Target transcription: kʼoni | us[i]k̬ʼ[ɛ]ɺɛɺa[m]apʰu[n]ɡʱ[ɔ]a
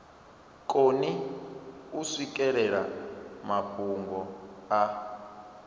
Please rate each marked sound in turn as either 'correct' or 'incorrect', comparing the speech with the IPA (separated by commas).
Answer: correct, correct, correct, incorrect, correct